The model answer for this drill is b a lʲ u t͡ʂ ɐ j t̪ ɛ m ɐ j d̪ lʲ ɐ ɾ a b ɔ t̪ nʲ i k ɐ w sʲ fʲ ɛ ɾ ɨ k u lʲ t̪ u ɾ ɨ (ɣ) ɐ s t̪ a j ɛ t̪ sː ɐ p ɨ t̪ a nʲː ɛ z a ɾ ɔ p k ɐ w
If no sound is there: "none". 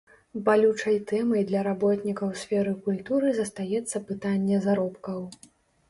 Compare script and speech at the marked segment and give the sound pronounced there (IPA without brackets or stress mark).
z